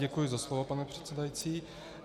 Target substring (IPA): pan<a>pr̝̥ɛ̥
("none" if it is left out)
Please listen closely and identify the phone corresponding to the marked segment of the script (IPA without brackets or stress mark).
ɛ